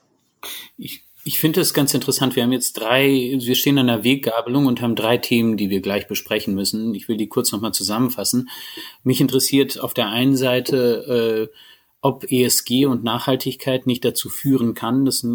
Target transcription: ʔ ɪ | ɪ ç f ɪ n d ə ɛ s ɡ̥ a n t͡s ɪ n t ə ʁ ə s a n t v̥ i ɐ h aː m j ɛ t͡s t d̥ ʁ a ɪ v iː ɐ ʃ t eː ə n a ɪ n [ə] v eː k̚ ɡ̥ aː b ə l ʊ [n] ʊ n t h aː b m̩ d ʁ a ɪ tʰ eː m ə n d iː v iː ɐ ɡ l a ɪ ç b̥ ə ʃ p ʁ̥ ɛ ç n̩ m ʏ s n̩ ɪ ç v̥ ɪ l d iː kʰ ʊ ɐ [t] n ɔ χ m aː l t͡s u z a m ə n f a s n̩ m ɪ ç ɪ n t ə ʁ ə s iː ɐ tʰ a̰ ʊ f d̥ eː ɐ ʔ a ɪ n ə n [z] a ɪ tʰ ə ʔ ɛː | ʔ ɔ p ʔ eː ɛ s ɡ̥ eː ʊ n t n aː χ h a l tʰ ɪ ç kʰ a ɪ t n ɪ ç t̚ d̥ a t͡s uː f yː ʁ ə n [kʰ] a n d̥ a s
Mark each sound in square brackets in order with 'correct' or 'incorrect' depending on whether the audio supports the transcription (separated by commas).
incorrect, incorrect, incorrect, correct, correct